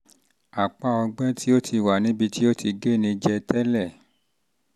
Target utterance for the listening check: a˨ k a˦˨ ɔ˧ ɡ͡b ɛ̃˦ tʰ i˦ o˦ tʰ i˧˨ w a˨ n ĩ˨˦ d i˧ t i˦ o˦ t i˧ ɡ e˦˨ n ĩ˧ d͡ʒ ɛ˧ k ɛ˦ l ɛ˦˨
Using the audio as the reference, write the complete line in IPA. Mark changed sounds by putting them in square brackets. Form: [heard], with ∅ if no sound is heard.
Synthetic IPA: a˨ [k͡p] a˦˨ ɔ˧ ɡ͡b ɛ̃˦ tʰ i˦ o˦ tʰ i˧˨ w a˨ n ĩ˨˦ [b] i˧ t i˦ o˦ t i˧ ɡ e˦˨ n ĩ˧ d͡ʒ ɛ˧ [t] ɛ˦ l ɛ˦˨